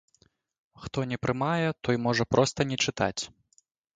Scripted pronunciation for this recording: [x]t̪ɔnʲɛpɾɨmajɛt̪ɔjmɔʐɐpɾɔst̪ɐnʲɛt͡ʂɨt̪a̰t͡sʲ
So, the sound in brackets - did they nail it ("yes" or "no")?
yes